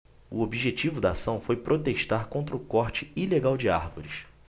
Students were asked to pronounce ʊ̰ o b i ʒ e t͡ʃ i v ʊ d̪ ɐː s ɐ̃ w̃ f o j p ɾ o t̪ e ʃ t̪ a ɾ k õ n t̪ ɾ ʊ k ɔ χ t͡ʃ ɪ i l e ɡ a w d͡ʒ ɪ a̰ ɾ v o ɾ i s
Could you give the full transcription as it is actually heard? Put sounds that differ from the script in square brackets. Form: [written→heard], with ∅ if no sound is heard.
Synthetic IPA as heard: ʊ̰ o b i ʒ e t͡ʃ i v ʊ d̪ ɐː s ɐ̃ w̃ f o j p ɾ o t̪ e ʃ t̪ a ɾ k õ n t̪ ɾ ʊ k ɔ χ t͡ʃ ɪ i l e ɡ a w d͡ʒ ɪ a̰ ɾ v o ɾ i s